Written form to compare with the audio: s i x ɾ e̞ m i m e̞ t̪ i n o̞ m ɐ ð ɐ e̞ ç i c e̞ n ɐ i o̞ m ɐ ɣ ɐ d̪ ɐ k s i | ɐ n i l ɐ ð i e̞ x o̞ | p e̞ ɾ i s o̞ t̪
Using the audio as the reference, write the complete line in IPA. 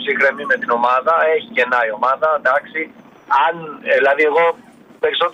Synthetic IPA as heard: s i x ɾ e̞ m i m e̞ t̪ i n o̞ m ɐ ð ɐ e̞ ç i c e̞ n ɐ i o̞ m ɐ ð ɐ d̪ ɐ k s i | ɐ n i l ɐ ð i e̞ ɣ o̞ | p e̞ ɾ i s o̞ t̪